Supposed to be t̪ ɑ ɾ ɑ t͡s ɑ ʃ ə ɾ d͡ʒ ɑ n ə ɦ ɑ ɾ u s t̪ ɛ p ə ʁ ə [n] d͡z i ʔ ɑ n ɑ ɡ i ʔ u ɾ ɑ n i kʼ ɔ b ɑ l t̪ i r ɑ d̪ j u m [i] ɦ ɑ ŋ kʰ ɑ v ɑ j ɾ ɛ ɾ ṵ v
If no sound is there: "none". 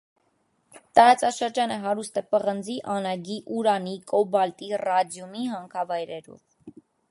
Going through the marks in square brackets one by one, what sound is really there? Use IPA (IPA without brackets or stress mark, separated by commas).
n, i